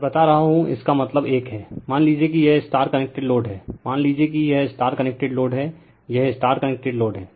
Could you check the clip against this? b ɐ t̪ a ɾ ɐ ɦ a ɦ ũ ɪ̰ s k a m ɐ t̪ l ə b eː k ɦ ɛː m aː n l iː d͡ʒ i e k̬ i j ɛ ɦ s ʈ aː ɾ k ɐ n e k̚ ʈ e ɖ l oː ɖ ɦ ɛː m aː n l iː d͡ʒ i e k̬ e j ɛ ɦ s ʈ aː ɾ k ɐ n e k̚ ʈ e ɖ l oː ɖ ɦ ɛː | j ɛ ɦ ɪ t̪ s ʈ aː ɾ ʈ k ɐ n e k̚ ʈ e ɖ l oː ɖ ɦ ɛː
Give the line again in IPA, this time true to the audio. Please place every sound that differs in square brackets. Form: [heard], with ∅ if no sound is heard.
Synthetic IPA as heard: b ɐ t̪ a ɾ ɐ ɦ a ɦ ũ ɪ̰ s k a m ɐ t̪ l ə b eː k ɦ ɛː m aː n l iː d͡ʒ i e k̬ i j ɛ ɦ s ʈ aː ɾ k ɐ n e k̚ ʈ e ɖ l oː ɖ ɦ ɛː m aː n l iː d͡ʒ i e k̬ [i] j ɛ ɦ s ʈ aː ɾ k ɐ n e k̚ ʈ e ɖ l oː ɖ ɦ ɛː | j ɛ ɦ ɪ [∅] s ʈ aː ɾ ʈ k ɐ n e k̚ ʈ e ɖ l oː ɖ ɦ ɛː

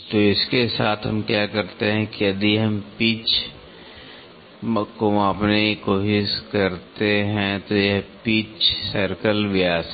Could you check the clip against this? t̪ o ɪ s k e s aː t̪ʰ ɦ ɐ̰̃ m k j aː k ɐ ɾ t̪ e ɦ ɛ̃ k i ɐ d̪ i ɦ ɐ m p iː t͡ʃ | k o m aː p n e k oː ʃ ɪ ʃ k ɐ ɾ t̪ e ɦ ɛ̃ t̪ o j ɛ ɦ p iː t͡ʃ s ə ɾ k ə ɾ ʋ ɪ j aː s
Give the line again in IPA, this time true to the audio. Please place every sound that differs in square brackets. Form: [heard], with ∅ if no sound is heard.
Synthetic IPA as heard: t̪ o ɪ s k e s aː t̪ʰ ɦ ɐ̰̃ m k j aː k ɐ ɾ t̪ e ɦ ɛ̃ k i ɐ d̪ i ɦ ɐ m p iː t͡ʃ | k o m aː p n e k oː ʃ ɪ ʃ k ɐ ɾ t̪ e ɦ ɛ̃ t̪ o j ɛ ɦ p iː t͡ʃ s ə ɾ k ə [l] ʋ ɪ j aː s

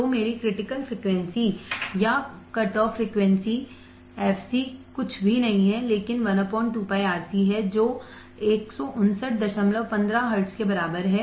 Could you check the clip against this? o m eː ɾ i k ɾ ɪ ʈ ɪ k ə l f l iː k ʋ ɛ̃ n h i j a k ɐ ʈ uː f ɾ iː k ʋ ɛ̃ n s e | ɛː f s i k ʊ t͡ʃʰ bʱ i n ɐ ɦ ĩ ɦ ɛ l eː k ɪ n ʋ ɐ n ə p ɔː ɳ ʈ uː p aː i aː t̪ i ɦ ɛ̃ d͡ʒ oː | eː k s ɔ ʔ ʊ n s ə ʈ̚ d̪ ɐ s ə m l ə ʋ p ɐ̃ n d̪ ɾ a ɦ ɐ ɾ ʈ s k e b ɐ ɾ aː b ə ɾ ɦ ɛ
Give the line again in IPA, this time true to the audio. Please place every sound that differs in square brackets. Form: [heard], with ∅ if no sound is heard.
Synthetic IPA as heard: o m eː ɾ i k ɾ ɪ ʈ ɪ k ə l f [ɾ] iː k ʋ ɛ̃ n [s] i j a k ɐ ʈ [ɔː] f ɾ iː k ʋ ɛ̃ n s [i] | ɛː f s i k ʊ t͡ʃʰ bʱ i n ɐ ɦ ĩ ɦ ɛ l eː k ɪ n ʋ ɐ n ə p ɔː ɳ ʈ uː p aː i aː t̪ i ɦ [ɛ] d͡ʒ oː | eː k s ɔ ʔ ʊ n s ə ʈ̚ d̪ ɐ [ʃ] ə m l ə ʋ p ɐ̃ n d̪ ɾ a ɦ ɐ ɾ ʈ s k e b ɐ ɾ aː b ə ɾ ɦ ɛ

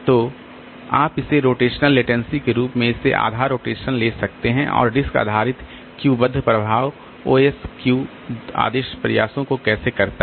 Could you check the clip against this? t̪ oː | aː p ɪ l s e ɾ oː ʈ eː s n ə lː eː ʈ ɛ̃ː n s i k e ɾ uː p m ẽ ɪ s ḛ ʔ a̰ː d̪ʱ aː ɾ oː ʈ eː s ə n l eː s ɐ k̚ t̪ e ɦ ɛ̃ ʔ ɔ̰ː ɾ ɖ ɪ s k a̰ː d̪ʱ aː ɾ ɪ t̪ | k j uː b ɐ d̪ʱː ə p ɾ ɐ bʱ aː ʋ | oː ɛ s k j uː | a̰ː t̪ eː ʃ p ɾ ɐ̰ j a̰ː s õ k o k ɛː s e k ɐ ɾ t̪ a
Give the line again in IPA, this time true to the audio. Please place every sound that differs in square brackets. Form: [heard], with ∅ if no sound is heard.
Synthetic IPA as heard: t̪ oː | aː p ɪ [∅] s e ɾ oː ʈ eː [ʃ] n ə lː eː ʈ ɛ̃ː n s i k e ɾ uː p m ẽ ɪ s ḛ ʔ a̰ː d̪ʱ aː ɾ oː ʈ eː [ʃ] ə n l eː s ɐ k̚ t̪ e ɦ ɛ̃ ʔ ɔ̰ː ɾ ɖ ɪ s k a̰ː d̪ʱ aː ɾ ɪ t̪ | k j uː b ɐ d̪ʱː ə p ɾ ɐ bʱ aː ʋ | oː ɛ s k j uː | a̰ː [d̪] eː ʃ p ɾ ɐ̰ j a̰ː s õ k o k ɛː s e k ɐ ɾ t̪ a

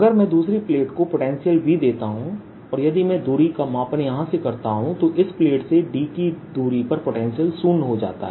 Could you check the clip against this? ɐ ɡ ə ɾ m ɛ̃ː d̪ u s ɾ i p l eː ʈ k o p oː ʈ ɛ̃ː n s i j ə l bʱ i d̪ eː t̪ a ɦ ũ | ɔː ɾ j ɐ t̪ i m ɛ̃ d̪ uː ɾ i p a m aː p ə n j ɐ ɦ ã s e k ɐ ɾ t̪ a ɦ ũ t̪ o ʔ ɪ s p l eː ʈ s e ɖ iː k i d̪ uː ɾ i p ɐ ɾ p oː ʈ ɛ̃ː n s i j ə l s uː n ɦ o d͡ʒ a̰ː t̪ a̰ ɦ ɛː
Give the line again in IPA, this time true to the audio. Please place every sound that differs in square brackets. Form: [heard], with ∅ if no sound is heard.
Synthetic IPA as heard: ɐ ɡ ə ɾ m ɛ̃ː d̪ [uː] s ɾ i p l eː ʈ k o p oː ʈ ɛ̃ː n s i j ə l bʱ i d̪ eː t̪ a ɦ ũ | ɔː ɾ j ɐ [d̪] i m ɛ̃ d̪ uː ɾ i [k] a m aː p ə n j ɐ ɦ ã s e k ɐ ɾ t̪ a ɦ ũ t̪ o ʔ ɪ s p l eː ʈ s e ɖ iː k i d̪ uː ɾ i p ɐ ɾ p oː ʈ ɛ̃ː n s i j ə l s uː n ɦ o d͡ʒ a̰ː t̪ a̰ ɦ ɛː

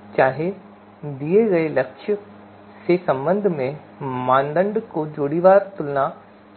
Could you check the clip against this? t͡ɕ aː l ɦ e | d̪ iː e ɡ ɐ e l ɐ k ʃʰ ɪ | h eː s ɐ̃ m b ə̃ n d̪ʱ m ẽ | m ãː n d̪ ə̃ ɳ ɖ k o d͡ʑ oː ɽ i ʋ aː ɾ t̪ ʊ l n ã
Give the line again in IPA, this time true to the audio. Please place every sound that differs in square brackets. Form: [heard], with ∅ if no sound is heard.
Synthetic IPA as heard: t͡ɕ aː [∅] ɦ e | d̪ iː e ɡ ɐ e l ɐ k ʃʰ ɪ | [s] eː s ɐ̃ m b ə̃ n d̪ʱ m ẽ | m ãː n d̪ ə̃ ɳ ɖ k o d͡ʑ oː ɽ i ʋ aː ɾ t̪ ʊ l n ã

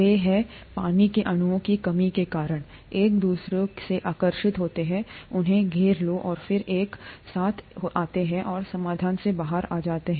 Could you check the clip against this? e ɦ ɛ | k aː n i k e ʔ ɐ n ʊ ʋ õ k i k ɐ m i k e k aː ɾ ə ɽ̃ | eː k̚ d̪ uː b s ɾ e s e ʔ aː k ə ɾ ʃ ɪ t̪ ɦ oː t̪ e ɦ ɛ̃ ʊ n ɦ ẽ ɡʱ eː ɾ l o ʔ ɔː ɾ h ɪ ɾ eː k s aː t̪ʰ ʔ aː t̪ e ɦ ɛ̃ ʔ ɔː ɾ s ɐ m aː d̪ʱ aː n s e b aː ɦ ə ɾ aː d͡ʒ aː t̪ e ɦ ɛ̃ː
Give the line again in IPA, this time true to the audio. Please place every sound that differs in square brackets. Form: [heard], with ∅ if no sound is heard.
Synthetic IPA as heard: e ɦ ɛ | [p] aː n i k e ʔ ɐ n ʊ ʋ õ k i k ɐ m i k e k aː ɾ ə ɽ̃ | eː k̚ d̪ uː [∅] s ɾ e s e ʔ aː k ə ɾ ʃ ɪ t̪ ɦ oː t̪ e ɦ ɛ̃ ʊ n ɦ ẽ ɡʱ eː ɾ l o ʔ ɔː ɾ [f] ɪ ɾ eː k s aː t̪ʰ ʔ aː t̪ e ɦ ɛ̃ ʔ ɔː ɾ s ɐ m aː d̪ʱ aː n s e b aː ɦ ə ɾ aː d͡ʒ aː t̪ e ɦ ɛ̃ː

